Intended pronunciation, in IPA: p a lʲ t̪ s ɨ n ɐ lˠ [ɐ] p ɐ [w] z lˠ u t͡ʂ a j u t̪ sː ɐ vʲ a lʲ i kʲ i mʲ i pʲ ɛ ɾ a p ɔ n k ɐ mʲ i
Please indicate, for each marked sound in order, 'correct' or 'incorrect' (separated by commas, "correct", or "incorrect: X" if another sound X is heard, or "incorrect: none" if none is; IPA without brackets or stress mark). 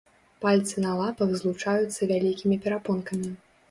incorrect: a, incorrect: ɣ